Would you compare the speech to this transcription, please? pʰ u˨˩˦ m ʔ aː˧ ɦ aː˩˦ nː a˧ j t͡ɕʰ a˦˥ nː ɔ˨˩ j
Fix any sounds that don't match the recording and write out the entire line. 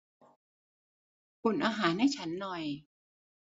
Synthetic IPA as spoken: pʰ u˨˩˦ n ʔ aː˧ ɦ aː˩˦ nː a˥˩ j t͡ɕʰ a˦˥ nː ɔ˨˩ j